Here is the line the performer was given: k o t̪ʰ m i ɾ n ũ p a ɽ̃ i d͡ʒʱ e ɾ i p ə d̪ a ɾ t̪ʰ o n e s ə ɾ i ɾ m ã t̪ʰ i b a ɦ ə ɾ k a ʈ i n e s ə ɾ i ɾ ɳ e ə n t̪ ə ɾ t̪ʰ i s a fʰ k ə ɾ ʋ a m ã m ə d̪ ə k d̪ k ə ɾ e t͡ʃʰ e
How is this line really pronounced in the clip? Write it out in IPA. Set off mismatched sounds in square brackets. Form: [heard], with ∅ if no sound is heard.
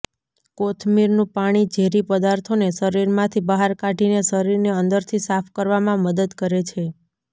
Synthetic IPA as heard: k o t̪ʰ m i ɾ n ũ p a ɽ̃ i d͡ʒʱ e ɾ i p ə d̪ a ɾ t̪ʰ o n e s ə ɾ i ɾ m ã t̪ʰ i b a ɦ [a] ɾ k a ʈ i n e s ə ɾ i ɾ [n] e ə n [d̪] ə ɾ t̪ʰ i s a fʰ k ə ɾ ʋ a m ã m ə d̪ ə [∅] d̪ k ə ɾ e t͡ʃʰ e